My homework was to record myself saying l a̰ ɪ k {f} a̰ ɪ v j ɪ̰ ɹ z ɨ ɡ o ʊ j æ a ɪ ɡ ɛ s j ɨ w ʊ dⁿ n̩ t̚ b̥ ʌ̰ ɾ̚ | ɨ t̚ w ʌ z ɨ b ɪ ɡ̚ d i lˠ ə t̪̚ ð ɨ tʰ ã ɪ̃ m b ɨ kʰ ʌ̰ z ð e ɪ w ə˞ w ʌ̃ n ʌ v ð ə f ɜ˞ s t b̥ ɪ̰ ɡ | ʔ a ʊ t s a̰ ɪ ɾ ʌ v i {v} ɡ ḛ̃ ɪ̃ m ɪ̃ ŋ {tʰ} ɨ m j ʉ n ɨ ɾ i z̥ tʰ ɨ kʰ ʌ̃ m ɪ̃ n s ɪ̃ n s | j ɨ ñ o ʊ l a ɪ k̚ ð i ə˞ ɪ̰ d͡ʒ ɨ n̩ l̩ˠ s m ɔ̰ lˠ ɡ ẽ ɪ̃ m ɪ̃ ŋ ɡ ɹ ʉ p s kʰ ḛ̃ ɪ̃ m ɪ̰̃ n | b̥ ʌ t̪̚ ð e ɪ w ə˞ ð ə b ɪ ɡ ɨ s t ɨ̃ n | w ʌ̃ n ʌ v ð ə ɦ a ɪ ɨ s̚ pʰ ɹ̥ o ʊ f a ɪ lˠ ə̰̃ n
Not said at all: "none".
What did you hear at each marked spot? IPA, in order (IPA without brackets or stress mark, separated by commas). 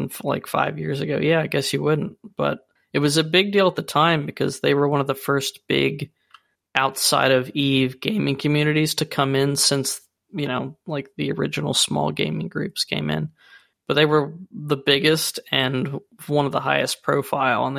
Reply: f, v, kʰ